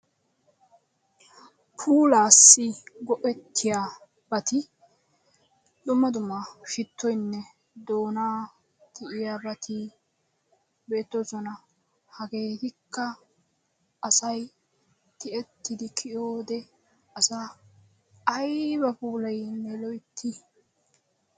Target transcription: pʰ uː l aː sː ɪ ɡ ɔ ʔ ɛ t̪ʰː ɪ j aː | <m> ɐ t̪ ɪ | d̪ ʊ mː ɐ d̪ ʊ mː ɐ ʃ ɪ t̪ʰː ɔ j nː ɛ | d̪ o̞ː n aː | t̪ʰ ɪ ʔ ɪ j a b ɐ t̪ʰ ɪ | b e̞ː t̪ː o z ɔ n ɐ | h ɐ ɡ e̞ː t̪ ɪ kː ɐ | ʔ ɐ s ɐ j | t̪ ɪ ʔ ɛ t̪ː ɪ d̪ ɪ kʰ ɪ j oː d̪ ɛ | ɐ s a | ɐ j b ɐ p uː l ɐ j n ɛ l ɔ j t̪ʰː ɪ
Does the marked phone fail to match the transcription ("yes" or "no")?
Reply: yes